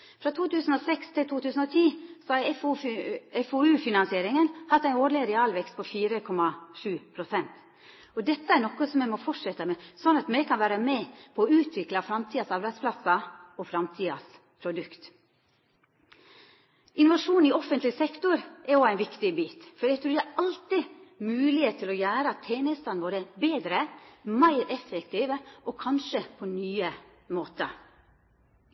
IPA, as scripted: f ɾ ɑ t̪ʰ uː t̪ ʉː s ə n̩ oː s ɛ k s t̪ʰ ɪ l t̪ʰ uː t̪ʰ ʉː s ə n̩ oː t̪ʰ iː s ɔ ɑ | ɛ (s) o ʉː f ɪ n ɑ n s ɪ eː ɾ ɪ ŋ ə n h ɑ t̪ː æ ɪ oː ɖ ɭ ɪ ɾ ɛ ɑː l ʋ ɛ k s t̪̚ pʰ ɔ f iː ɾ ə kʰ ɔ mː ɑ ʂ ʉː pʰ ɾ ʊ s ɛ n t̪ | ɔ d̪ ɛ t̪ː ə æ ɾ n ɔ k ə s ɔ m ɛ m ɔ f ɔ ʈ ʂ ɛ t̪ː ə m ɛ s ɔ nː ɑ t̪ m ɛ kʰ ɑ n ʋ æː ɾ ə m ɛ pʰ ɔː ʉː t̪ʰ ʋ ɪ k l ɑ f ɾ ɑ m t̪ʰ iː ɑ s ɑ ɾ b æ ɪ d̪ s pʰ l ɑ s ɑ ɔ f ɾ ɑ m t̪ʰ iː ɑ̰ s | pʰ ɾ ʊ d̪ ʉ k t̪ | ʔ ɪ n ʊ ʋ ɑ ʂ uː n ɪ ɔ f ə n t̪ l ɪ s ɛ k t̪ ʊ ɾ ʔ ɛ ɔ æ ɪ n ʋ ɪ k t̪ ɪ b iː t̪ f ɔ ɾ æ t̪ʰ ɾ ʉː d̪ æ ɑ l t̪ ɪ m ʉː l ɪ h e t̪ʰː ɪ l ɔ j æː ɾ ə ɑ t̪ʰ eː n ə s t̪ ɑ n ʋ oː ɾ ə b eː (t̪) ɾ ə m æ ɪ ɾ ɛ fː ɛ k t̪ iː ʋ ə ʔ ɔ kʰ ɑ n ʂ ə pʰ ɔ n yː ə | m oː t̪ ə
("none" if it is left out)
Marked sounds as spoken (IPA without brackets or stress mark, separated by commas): f, d̪